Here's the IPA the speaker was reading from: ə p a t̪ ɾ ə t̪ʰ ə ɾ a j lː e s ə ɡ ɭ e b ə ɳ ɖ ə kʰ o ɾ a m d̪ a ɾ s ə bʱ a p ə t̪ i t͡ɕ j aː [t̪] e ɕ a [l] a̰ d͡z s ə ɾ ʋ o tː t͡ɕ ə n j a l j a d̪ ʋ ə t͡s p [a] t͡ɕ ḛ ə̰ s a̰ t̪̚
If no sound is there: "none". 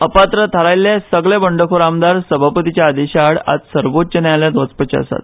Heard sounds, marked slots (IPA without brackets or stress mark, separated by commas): d̪, ɽ, ə